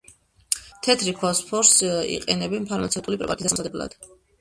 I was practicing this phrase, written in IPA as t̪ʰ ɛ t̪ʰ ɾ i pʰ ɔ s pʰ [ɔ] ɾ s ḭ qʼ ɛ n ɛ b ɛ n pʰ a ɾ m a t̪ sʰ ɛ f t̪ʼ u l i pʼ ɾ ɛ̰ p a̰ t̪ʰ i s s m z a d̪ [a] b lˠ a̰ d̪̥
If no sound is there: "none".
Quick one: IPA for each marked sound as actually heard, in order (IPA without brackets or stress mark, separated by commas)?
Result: ɔ, ɛ